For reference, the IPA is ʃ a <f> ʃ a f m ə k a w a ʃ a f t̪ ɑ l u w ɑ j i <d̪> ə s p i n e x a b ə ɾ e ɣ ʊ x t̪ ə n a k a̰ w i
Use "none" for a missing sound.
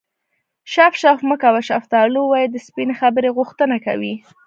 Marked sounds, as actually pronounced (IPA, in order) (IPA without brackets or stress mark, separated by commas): f, d̪